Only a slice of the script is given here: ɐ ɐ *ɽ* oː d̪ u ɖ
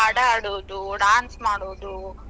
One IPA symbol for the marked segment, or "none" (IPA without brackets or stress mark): ɽ